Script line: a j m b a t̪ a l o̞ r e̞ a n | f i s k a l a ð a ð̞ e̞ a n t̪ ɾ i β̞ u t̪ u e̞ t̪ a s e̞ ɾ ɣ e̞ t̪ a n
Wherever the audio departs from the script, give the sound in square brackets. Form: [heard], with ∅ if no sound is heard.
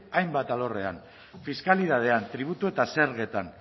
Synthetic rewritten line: a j m b a t̪ a l o̞ r e̞ a n | f i s k a l [i] ð a ð̞ e̞ a n t̪ ɾ i β̞ u t̪ u e̞ t̪ a s e̞ ɾ ɣ e̞ t̪ a n

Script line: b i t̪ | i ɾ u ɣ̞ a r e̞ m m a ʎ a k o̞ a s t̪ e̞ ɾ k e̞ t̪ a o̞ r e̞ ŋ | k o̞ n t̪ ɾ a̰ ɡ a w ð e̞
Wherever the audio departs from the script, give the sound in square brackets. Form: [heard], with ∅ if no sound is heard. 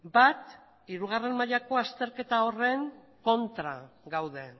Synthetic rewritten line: b [a] t̪ | i ɾ u ɣ̞ a r e̞ m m a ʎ a k o̞ a s t̪ e̞ ɾ k e̞ t̪ a o̞ r e̞ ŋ | k o̞ n t̪ ɾ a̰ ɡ a w ð e̞

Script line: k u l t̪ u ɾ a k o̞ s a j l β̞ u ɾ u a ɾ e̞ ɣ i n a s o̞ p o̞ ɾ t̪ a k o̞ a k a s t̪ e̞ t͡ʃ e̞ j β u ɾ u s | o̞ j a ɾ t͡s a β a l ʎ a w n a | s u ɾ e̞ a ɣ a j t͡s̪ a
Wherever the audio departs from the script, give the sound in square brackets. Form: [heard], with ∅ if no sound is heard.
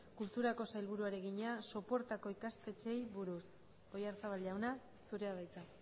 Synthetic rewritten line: k u l t̪ u ɾ a k o̞ s a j l β̞ u ɾ u a ɾ e̞ ɣ i [ɲ] a s o̞ p o̞ ɾ t̪ a k o̞ [i] k a s t̪ e̞ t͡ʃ e̞ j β u ɾ u s | o̞ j a ɾ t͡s a β a l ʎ a w n a | s u ɾ e̞ a [ð] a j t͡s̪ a

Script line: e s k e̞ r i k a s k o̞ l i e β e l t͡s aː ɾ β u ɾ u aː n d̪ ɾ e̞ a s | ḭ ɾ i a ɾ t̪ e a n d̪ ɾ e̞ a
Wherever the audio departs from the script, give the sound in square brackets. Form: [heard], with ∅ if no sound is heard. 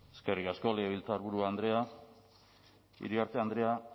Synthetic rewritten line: e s k e̞ r i k a s k o̞ l [e] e β [i] l t͡s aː ɾ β u ɾ u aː n d̪ ɾ e̞ a [∅] | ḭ ɾ i a ɾ t̪ e a n d̪ ɾ e̞ a

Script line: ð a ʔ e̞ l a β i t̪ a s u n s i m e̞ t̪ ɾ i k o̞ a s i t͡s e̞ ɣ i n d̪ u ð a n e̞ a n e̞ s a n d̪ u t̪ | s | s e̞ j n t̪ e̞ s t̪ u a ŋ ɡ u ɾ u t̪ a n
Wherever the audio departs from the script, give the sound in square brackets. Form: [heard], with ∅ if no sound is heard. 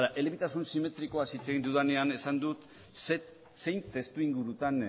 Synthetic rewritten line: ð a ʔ e̞ l [e] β i t̪ a s u n s i m e̞ t̪ ɾ i k o̞ a s i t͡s e̞ ɣ i n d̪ u ð a n e̞ a n e̞ s a n d̪ u t̪ | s | s e̞ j n t̪ e̞ s t̪ u [i] ŋ ɡ u ɾ u t̪ a n

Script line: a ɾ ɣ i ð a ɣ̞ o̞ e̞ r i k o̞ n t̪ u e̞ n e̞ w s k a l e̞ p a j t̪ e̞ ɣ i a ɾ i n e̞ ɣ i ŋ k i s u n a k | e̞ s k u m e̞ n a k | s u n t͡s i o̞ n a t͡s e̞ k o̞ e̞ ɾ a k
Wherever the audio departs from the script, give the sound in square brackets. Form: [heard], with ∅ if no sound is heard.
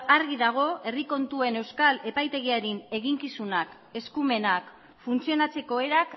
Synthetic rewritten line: a ɾ ɣ i ð a ɣ̞ o̞ e̞ r i k o̞ n t̪ u e̞ n e̞ w s k a l e̞ p a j t̪ e̞ ɣ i a ɾ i n e̞ ɣ i ŋ k i s u n a k | e̞ s k u m e̞ n a k | [f] u n t͡s i o̞ n a t͡s e̞ k o̞ e̞ ɾ a k

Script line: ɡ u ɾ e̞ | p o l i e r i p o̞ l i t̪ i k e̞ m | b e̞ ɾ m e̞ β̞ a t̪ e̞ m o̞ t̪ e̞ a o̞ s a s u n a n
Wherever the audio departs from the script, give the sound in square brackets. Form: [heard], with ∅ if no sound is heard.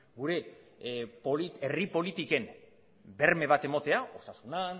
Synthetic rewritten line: ɡ u ɾ e̞ | p o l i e r i p o̞ l i t̪ i k e̞ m | b e̞ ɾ m e̞ β̞ a t̪ e̞ m o̞ t̪ e̞ a o̞ s a s u n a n

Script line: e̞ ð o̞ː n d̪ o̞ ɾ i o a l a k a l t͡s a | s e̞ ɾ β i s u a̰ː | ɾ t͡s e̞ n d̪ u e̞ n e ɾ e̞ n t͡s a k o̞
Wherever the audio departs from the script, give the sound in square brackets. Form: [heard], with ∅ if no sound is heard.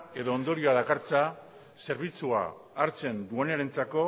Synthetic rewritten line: e̞ ð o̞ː n d̪ o̞ ɾ i o a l a k a [ɾ] t͡s a | s e̞ ɾ β i [t͡s] u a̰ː | ɾ t͡s e̞ n d̪ u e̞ n e ɾ e̞ n t͡s a k o̞

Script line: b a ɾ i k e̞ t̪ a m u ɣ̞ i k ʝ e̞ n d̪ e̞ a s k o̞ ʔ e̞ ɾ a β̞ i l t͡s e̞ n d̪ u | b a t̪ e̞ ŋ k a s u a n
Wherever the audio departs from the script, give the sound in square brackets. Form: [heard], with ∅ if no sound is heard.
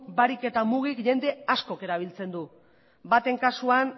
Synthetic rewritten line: b a ɾ i k e̞ t̪ a m u ɣ̞ i k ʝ e̞ n d̪ e̞ a s k o̞ [k] e̞ ɾ a β̞ i l t͡s e̞ n d̪ u | b a t̪ e̞ ŋ k a s u a n

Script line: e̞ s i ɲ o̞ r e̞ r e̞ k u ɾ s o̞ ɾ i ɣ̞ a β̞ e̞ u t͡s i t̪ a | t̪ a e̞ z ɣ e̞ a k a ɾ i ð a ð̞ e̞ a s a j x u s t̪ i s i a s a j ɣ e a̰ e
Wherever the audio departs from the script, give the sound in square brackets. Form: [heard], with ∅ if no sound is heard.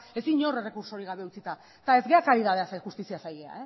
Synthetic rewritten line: e̞ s i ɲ o̞ r e̞ r e̞ k u ɾ s o̞ ɾ i ɣ̞ a β̞ e̞ u t͡s i t̪ a | t̪ a e̞ z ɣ e̞ a k a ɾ i ð a ð̞ e̞ a s a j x u s t̪ i s i a s a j ɣ e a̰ e

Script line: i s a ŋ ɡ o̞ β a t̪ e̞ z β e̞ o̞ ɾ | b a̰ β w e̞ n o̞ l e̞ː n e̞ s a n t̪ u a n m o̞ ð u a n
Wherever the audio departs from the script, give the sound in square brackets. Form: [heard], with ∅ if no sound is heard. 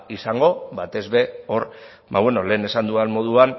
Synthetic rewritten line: i s a ŋ ɡ o̞ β a t̪ e̞ z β e̞ o̞ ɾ | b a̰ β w e̞ n o̞ l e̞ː n e̞ s a n [d̪] u a n m o̞ ð u a n

